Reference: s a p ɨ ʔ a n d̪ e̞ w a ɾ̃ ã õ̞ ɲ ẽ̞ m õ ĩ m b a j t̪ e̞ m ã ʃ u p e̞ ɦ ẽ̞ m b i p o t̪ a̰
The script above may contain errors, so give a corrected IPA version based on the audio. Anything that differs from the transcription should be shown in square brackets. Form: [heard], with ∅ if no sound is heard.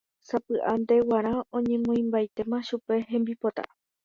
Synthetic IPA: s a p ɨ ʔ a n d̪ e̞ w a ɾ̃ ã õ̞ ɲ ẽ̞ m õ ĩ m b a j t̪ e̞ m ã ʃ u p e̞ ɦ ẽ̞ m b i p o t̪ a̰